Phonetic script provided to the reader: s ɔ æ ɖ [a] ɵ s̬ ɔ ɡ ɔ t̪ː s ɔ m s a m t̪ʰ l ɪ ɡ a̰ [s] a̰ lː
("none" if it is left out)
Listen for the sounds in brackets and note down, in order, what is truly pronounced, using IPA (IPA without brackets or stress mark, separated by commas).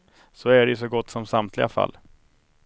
ɛ, f